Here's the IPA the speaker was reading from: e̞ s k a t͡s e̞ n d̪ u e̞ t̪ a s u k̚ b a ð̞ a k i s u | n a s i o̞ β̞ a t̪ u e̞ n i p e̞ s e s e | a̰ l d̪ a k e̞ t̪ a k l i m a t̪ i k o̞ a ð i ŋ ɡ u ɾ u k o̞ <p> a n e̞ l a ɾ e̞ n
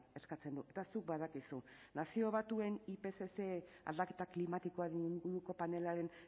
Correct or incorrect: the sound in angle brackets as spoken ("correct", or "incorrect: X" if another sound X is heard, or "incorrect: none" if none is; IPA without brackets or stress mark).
correct